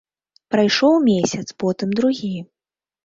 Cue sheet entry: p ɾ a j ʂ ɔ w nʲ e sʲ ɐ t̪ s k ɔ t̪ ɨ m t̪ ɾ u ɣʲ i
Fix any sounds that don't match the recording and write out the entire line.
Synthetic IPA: p ɾ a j ʂ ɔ w mʲ e sʲ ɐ t̪ s p ɔ t̪ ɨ m d̪ ɾ u ɣʲ i